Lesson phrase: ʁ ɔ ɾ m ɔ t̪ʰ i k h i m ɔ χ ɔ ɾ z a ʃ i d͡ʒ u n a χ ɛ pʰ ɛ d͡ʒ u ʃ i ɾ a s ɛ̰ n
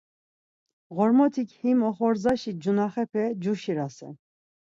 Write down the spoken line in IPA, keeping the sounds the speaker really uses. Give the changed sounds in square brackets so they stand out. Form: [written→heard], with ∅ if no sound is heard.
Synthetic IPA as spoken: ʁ ɔ ɾ m ɔ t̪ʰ i k h i m ɔ χ ɔ ɾ z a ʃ i d͡ʒ u n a χ ɛ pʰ ɛ d͡ʒ u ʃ i ɾ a s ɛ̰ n